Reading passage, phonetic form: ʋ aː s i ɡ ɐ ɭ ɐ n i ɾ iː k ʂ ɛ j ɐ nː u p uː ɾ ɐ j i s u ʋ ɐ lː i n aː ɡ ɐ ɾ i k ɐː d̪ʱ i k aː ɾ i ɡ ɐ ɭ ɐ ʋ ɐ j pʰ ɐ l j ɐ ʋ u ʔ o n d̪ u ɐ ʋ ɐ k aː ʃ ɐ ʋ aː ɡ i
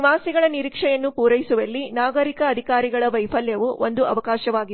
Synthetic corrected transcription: ʋ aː s i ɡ ɐ ɭ ɐ n i ɾ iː k ʂ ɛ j ɐ nː u p uː ɾ ɐ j i s u ʋ ɐ lː i n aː ɡ ɐ ɾ i k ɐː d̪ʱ i k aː ɾ i ɡ ɐ ɭ ɐ ʋ ɐ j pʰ ɐ l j ɐ ʋ u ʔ o n d̪ u ɐ ʋ ɐ k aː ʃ ɐ ʋ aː ɡ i